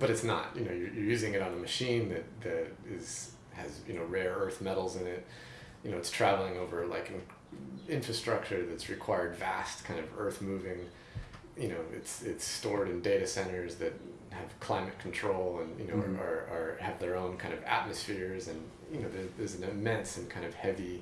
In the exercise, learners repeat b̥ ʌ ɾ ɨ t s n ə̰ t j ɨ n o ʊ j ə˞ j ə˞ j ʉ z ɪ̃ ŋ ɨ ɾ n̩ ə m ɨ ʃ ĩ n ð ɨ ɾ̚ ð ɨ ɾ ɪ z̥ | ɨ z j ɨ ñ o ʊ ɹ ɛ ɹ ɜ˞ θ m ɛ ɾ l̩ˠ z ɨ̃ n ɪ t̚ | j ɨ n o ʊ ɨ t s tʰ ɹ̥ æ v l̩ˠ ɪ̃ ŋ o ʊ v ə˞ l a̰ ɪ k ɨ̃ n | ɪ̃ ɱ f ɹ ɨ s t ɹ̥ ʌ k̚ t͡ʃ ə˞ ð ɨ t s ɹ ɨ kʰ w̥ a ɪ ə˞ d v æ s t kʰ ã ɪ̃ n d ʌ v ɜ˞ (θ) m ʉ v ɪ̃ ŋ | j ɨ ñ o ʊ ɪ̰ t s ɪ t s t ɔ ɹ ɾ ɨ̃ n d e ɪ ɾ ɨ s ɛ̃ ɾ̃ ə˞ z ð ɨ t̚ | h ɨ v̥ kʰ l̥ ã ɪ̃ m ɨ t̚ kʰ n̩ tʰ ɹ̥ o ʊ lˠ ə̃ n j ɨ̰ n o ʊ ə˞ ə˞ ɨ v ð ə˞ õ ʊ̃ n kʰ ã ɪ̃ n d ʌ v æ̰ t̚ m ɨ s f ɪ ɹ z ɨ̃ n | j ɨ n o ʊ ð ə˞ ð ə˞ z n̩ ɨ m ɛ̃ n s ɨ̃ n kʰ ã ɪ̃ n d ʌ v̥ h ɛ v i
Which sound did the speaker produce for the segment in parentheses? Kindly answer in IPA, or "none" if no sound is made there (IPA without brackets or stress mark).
θ